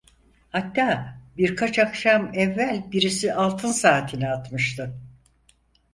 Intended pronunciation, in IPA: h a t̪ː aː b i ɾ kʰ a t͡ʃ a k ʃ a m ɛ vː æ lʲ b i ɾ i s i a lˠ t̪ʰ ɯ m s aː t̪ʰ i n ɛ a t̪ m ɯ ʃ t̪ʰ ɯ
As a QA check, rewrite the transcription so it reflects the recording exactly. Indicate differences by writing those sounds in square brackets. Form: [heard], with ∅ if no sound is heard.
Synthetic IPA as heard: h a t̪ː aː b i ɾ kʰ a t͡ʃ a k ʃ a m ɛ vː æ lʲ b i ɾ i s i a lˠ t̪ʰ ɯ [n] s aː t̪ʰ i n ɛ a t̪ m ɯ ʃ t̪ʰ ɯ